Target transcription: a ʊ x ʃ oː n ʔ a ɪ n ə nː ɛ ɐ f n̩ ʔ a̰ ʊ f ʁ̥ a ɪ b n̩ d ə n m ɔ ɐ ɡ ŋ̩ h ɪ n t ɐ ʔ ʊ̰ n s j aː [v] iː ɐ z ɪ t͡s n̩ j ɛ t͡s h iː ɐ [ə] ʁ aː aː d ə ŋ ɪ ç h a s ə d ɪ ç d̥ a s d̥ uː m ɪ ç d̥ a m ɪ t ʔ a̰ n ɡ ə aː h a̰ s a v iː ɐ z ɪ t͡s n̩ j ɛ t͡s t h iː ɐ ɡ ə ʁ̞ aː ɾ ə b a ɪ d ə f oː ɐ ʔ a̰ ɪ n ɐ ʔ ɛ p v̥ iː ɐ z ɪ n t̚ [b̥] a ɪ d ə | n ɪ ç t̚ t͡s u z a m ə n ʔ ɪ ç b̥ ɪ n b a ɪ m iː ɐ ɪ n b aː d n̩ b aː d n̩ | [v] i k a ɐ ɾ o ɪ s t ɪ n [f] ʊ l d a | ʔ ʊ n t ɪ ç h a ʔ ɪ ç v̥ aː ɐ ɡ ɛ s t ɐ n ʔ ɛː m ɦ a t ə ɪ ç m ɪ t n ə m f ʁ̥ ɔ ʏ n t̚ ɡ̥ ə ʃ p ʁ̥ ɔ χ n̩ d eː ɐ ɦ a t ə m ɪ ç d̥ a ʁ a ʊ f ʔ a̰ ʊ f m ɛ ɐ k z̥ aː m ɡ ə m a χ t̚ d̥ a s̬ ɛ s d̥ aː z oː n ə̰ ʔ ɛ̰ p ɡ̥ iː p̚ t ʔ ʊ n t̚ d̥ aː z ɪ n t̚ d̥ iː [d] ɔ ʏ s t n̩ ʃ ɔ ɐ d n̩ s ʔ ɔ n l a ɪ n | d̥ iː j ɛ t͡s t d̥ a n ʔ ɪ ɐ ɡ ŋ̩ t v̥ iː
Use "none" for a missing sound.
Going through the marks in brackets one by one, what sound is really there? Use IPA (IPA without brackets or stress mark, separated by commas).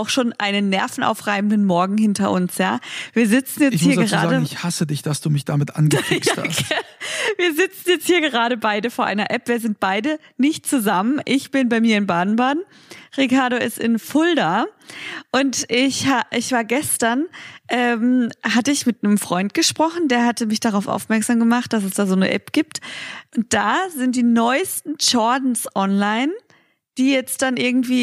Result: v, ə, b̥, ʁ, f, n